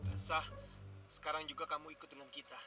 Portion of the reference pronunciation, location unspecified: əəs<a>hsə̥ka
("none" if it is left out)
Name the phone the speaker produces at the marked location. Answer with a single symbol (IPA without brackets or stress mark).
a